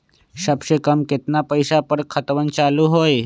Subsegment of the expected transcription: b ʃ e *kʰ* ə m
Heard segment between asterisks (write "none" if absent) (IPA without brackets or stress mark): k